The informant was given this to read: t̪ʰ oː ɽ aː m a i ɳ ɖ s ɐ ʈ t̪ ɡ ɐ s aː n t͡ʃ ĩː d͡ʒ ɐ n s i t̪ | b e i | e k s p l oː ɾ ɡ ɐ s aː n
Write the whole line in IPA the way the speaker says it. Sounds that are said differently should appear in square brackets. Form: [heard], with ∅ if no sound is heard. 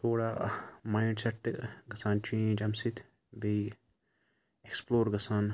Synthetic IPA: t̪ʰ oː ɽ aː m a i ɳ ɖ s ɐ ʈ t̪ ɡ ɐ s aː n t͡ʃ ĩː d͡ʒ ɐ [m] s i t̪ | b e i | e k s p l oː ɾ ɡ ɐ s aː n